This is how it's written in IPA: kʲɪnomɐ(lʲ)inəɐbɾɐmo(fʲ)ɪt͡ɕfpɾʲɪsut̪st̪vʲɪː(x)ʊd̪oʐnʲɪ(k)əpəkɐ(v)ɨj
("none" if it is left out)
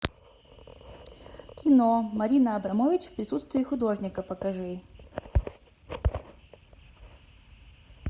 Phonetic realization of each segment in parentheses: ɾʲ, vʲ, x, k, ʐ

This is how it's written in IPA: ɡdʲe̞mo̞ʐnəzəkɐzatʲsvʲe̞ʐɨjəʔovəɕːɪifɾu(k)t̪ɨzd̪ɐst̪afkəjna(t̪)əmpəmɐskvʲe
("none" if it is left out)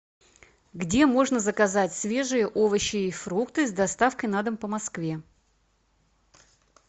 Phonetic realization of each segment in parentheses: k, d̪

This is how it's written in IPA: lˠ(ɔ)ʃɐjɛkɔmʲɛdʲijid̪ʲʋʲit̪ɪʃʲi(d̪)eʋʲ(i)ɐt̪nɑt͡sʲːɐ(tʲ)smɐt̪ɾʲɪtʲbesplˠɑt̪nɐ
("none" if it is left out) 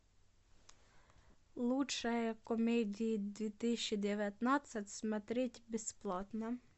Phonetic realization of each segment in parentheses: u, d̪, j, tʲ

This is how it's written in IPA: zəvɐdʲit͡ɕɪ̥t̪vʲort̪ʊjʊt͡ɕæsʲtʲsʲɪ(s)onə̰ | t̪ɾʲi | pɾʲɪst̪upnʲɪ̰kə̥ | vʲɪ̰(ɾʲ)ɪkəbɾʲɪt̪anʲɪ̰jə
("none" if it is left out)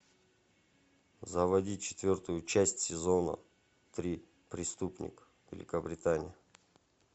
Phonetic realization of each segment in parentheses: z, lʲ

